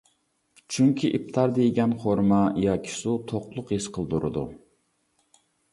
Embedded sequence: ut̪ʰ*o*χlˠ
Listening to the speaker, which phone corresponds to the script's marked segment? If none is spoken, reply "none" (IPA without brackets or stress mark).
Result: o